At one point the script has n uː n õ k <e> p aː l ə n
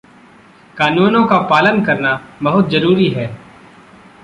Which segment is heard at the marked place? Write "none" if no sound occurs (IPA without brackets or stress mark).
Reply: a